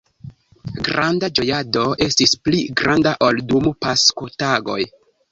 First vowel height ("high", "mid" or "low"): low